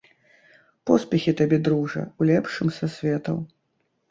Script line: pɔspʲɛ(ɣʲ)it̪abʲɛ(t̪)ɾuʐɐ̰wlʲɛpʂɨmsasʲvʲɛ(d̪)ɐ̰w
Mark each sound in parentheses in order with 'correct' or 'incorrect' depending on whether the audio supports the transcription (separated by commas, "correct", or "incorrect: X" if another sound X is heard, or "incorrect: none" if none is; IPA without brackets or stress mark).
incorrect: xʲ, incorrect: d̪, incorrect: t̪